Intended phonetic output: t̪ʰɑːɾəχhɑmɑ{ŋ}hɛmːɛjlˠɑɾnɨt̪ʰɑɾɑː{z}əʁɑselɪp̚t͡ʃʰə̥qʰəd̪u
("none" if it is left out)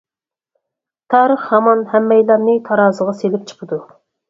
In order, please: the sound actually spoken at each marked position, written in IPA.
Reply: n, z

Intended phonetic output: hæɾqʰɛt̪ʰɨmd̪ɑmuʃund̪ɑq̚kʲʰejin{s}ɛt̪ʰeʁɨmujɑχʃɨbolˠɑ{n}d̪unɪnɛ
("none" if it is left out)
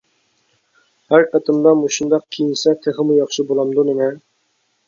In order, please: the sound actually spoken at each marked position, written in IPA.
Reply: s, m

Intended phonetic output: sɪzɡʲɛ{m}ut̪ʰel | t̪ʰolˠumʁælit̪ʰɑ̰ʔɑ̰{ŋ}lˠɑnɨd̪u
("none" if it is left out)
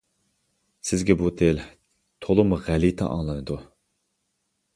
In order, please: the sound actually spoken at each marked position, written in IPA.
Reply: b, ŋ

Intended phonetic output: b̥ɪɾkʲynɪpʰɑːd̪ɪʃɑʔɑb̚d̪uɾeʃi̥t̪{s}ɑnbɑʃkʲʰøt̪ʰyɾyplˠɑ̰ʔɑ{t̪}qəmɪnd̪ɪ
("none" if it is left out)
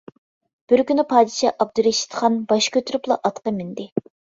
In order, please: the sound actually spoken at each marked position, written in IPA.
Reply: χ, t̪

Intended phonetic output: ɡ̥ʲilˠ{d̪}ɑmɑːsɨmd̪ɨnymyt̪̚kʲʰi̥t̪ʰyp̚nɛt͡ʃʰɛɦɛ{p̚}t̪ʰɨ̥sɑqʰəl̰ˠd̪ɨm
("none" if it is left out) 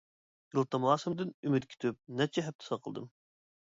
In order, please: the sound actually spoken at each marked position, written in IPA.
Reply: t̪, p̚

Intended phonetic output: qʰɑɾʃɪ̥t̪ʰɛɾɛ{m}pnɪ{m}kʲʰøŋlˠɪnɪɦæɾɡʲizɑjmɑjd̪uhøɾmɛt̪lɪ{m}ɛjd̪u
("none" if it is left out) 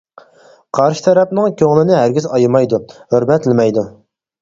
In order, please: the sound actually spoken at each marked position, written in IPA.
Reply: none, ŋ, m

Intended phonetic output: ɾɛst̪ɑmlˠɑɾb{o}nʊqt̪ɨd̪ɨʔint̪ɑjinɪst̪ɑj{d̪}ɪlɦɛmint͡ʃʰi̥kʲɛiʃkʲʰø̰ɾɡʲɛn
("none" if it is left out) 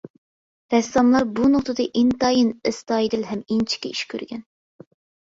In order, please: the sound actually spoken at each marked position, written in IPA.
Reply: u, d̪

